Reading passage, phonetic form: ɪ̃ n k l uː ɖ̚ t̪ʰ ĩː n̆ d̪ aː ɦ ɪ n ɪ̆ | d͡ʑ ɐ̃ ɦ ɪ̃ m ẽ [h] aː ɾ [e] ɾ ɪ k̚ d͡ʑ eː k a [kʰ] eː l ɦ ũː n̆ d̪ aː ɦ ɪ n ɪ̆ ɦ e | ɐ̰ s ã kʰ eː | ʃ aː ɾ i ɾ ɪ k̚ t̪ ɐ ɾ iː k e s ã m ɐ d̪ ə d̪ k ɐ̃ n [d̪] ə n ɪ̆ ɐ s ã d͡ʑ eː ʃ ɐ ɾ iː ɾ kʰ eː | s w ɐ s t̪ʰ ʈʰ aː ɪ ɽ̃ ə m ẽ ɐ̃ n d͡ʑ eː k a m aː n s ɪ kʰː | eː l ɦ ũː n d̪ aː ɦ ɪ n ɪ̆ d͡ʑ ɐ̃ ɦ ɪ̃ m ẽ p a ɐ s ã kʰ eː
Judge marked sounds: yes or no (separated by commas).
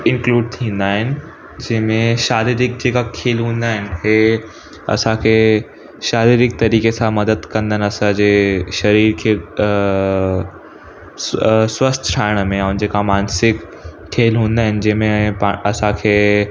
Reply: no, no, yes, yes